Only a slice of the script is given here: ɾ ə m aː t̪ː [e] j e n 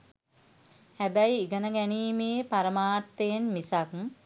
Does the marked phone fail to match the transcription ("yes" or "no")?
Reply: no